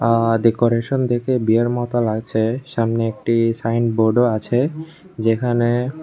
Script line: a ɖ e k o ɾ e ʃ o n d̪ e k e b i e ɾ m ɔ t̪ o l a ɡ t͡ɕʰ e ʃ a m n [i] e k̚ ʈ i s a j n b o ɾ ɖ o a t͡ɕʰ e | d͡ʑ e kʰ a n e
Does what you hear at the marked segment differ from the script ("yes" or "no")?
yes